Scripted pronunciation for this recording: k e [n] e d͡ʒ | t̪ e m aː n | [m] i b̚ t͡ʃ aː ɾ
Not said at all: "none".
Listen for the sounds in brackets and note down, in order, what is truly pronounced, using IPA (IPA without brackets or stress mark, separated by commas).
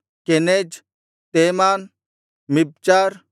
n, m